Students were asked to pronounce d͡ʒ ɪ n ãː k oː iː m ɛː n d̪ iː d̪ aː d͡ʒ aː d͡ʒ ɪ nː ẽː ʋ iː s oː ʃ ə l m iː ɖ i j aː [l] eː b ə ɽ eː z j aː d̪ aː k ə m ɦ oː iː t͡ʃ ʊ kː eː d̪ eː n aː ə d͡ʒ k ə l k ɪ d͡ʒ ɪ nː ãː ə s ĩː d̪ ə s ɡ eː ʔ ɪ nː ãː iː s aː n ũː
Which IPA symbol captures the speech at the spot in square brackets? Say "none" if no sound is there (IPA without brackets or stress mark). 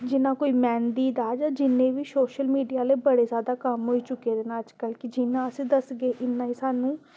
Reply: l